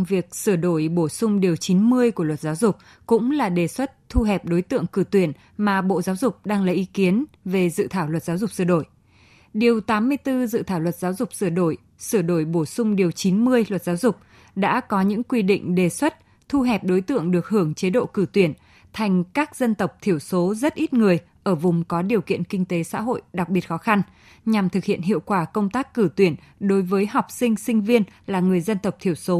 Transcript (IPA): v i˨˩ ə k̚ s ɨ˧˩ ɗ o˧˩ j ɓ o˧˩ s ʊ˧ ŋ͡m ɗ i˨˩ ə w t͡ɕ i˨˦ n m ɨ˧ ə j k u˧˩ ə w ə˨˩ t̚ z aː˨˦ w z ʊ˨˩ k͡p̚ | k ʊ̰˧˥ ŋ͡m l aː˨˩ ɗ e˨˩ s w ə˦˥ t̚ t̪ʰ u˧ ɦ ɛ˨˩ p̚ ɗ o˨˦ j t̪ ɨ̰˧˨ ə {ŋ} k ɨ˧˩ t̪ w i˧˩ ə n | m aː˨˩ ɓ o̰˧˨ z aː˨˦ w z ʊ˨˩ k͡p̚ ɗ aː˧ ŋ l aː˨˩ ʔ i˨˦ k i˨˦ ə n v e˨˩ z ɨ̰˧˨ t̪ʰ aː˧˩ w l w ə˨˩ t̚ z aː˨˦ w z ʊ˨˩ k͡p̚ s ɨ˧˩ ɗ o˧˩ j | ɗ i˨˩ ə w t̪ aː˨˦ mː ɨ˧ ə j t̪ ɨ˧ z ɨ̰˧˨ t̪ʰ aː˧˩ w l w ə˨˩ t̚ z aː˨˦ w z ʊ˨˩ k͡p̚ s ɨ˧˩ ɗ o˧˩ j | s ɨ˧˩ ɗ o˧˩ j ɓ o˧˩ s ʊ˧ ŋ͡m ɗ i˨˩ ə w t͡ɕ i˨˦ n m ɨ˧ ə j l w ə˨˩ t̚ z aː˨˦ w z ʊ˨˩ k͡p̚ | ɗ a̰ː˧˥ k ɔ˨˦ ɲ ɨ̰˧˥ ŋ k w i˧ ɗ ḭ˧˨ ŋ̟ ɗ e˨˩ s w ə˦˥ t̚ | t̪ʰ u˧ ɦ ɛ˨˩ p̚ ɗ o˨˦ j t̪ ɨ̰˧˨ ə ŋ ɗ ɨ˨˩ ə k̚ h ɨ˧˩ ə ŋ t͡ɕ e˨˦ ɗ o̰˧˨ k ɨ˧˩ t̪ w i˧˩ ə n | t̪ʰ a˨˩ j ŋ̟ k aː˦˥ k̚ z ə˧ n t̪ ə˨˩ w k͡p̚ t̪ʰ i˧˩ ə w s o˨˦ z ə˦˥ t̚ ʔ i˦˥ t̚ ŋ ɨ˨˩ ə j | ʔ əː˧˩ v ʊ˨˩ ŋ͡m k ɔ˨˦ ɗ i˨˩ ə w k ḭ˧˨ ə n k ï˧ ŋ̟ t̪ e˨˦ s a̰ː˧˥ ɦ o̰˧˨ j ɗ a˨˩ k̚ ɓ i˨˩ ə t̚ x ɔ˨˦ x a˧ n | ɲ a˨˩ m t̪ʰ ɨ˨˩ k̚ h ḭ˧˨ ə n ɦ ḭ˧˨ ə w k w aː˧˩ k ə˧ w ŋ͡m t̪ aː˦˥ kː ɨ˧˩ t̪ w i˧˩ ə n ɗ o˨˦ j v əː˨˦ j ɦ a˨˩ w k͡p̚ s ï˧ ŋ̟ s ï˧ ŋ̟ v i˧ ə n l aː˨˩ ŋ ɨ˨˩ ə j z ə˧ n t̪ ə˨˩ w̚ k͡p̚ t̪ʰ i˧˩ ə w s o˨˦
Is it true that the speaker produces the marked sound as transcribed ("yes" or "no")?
yes